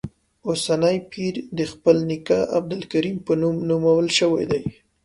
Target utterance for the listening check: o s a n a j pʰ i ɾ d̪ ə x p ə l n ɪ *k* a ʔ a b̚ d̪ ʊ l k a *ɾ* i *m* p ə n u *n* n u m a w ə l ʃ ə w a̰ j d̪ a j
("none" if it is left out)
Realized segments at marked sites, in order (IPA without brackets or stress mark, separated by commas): k, ɾ, m, m